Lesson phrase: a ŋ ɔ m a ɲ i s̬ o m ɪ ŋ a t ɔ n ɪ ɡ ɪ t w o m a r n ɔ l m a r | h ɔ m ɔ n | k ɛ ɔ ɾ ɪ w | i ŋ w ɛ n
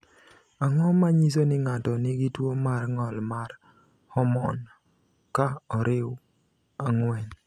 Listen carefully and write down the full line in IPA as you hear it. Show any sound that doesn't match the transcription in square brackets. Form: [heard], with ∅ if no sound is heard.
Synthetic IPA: a ŋ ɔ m a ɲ i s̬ o [n] ɪ ŋ a t ɔ n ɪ ɡ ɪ t w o m a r [ŋ] ɔ l m a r | h ɔ m ɔ n | k [a] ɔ ɾ ɪ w | [a] ŋ w ɛ n